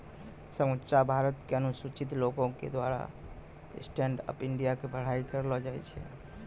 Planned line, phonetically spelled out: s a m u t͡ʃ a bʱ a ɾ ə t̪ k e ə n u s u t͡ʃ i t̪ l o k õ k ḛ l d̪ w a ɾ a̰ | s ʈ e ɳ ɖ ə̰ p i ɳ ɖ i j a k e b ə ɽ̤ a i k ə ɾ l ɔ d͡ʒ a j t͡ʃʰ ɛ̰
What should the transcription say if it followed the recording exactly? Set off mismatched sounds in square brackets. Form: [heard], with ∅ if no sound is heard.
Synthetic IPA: s [ə] m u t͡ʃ a bʱ a ɾ ə t̪ k e ə n u s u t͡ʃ i t̪ l o k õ k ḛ [∅] d̪ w a ɾ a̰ | s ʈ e ɳ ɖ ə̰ p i ɳ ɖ i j a k e b ə ɽ̤ a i k ə ɾ l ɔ d͡ʒ a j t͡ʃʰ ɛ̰